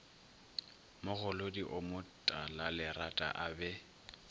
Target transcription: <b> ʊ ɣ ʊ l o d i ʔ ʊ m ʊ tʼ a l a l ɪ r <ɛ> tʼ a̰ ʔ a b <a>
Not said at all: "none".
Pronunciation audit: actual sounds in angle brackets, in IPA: m, a, ɛ

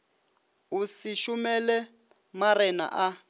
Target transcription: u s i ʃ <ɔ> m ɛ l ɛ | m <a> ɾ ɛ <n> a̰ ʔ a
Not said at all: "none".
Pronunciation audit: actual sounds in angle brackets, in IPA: u, a, n

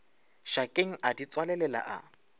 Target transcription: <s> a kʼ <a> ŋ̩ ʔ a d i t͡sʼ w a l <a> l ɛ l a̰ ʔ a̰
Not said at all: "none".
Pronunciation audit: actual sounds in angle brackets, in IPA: ʃ, e, ɛ

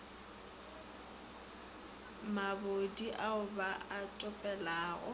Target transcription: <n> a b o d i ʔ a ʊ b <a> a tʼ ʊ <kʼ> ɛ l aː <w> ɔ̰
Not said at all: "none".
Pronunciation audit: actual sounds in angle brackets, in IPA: m, a, pʼ, ɣ

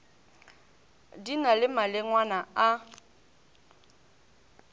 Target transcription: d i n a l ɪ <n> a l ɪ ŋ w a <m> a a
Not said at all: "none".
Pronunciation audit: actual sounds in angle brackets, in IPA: m, n

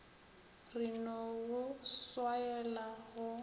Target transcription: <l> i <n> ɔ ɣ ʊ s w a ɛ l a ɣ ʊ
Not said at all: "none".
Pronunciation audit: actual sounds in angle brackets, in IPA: r, n

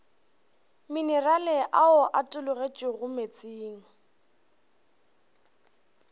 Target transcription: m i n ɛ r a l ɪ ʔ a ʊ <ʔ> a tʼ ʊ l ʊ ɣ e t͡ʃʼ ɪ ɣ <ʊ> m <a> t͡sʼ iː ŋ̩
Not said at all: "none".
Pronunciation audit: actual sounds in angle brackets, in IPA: ʔ, ʊ, e

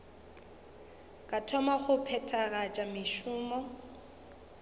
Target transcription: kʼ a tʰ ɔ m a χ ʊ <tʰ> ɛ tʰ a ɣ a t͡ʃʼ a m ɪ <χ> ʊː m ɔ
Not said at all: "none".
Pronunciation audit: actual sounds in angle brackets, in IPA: pʰ, ʃ

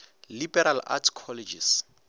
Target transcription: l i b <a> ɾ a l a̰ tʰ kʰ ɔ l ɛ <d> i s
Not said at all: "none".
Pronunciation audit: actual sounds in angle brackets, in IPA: ɛ, d͡ʒ

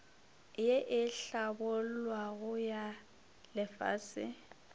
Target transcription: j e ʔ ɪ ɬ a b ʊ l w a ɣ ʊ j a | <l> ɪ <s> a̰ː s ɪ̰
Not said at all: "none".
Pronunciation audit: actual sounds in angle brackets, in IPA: l, f

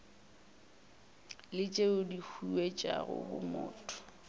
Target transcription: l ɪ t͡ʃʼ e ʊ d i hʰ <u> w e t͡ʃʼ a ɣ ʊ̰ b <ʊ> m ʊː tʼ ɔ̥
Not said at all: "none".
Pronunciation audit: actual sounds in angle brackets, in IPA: u, ʊ

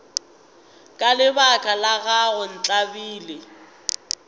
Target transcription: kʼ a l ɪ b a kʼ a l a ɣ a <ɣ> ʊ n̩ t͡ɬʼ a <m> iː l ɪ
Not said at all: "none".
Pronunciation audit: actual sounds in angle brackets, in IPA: ɣ, b

